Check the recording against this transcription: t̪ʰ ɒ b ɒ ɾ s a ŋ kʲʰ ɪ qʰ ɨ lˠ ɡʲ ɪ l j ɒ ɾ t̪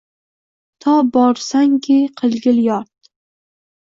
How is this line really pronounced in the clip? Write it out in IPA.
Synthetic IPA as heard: t̪ʰ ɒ b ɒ ɾ s a ŋ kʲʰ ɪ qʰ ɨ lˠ ɡʲ ɪ l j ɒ ɾ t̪